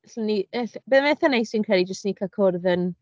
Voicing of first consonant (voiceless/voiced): voiceless